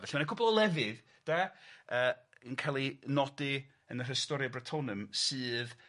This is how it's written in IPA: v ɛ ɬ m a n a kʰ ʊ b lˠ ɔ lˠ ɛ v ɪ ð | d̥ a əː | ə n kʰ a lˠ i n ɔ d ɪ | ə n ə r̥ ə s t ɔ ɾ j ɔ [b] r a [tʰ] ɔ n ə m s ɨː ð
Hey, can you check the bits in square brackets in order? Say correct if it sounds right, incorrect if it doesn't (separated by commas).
correct, correct